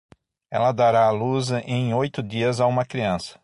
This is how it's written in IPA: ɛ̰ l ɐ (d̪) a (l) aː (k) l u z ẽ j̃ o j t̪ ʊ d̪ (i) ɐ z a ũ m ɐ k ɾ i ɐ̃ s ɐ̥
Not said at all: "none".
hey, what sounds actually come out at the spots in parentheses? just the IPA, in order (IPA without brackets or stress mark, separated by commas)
d̪, ɾ, none, i